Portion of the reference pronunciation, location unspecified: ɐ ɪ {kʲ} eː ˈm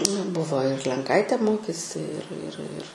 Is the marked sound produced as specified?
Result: no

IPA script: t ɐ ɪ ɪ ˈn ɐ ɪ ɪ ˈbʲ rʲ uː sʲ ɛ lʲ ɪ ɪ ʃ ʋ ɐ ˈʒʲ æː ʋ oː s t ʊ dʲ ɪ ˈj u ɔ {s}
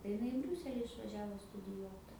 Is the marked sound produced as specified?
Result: no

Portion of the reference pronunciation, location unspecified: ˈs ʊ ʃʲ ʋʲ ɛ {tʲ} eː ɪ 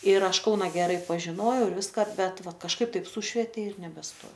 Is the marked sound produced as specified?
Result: yes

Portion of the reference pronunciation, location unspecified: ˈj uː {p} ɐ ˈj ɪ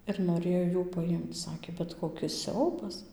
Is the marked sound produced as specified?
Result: yes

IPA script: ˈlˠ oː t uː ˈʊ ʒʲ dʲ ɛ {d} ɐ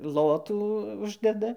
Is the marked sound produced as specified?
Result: yes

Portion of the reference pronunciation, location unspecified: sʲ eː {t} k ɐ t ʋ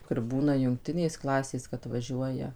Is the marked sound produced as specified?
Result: no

